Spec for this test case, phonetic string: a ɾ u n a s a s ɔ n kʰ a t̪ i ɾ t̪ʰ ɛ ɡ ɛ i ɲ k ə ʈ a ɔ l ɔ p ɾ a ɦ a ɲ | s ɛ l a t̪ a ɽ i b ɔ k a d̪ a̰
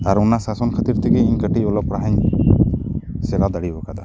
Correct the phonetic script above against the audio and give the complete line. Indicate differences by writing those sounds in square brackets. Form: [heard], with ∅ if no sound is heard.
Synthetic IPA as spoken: a ɾ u n a s a s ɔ n kʰ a t̪ i ɾ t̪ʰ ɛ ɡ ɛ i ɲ k ə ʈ [i] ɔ l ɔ p ɾ a ɦ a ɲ | s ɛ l a [d̪] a ɽ i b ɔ k a d̪ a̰